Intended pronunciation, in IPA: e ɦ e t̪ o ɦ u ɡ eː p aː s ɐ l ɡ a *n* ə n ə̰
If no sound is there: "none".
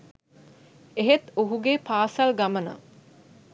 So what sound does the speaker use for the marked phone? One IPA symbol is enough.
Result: m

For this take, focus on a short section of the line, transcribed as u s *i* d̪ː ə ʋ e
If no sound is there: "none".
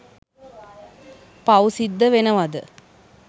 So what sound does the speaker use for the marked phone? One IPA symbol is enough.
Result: i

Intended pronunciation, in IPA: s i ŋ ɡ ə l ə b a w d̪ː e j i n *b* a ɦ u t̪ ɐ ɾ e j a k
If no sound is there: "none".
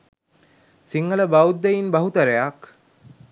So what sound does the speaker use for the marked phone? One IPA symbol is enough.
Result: b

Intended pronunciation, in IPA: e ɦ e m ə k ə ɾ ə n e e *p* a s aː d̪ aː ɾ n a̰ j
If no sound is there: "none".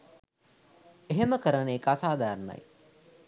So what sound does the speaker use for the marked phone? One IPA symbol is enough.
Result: k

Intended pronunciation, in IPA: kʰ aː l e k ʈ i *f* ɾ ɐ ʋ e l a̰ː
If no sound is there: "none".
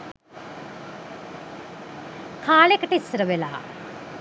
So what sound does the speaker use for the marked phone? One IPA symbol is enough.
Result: s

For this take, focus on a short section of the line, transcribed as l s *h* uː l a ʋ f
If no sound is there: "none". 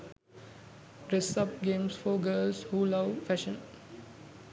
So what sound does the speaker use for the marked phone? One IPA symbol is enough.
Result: h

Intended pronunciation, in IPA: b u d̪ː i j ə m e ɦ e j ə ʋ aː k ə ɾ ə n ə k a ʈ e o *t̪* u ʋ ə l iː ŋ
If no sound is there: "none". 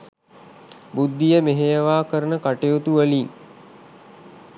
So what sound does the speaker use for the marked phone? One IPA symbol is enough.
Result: t̪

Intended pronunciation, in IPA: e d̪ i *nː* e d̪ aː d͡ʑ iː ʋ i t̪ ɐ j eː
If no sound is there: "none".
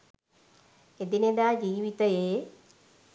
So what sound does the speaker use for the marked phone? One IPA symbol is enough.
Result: n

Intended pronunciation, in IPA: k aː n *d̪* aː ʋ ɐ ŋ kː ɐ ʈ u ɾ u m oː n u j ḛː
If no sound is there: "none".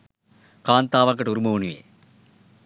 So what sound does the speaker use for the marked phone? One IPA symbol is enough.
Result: t̪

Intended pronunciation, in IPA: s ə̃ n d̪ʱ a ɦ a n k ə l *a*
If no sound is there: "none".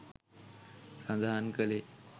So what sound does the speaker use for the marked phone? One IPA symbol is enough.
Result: e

